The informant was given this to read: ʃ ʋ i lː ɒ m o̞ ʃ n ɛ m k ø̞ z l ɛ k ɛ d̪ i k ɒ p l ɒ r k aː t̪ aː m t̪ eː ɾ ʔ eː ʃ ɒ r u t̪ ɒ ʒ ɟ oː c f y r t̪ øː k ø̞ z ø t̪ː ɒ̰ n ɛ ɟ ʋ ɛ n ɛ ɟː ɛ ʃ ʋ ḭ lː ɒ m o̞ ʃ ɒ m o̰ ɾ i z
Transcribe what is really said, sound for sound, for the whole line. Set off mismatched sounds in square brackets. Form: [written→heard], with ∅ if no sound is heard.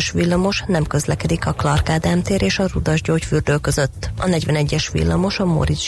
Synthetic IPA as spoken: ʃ ʋ i lː ɒ m o̞ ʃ n ɛ m k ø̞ z l ɛ k ɛ d̪ i k ɒ [p→k] l ɒ r k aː [t̪→d̪] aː m t̪ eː ɾ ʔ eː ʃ ɒ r u [t̪→d̪] ɒ ʒ ɟ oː c f y r [t̪→d̪] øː k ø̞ z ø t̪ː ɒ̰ n ɛ ɟ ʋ ɛ n ɛ ɟː ɛ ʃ ʋ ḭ lː ɒ m o̞ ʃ ɒ m o̰ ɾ i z